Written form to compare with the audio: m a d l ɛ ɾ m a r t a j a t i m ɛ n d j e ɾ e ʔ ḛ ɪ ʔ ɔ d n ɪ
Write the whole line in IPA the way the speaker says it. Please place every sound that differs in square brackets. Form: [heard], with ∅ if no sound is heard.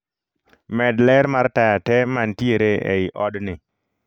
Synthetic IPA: m [ɛ] d l ɛ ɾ m a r t a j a t [ɛ] m [a] n [t] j e ɾ e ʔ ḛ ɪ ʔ ɔ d n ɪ

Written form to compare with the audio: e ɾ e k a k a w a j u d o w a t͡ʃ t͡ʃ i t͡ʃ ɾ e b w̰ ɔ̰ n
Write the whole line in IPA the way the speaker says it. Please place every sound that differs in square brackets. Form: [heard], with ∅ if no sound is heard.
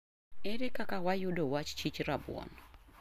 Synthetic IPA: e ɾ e k a k a w a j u d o w a t͡ʃ t͡ʃ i t͡ʃ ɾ [a] b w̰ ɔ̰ n

